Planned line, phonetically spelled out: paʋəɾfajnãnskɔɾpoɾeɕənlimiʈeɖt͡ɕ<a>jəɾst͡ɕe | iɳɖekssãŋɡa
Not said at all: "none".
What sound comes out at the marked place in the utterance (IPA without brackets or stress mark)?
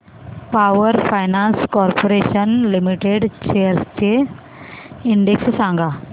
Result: e